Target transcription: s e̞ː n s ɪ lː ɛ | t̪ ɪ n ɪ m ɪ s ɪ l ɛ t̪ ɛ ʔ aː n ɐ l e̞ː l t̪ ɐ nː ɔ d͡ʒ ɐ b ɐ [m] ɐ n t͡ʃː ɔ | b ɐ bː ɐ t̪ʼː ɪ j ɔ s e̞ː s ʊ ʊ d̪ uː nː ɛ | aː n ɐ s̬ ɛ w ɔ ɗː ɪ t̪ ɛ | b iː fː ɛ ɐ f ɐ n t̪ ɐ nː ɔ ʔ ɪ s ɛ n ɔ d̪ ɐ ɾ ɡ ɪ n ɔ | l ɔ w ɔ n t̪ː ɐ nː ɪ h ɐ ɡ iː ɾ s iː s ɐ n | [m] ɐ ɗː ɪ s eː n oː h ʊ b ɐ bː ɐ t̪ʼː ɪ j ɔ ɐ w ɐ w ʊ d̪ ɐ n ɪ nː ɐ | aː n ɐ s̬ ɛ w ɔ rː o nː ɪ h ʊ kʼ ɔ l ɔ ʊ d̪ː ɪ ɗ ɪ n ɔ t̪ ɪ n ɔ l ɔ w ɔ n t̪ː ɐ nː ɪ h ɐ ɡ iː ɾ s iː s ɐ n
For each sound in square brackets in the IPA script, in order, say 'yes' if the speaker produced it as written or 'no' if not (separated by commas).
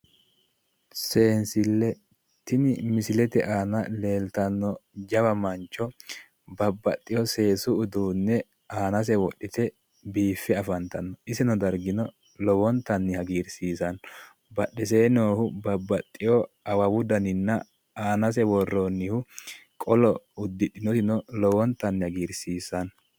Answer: yes, no